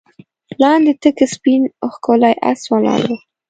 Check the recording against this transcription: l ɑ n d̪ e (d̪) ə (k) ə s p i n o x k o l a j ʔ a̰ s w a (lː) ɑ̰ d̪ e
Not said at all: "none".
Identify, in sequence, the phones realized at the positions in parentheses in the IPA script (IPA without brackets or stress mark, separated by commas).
t̪, k, l